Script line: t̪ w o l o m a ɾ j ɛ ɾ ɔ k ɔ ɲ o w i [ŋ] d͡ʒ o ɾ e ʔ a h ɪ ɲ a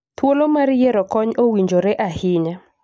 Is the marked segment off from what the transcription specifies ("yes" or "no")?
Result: yes